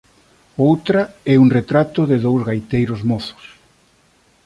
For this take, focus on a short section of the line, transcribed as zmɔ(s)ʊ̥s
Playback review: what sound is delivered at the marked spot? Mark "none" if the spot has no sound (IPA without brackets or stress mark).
θ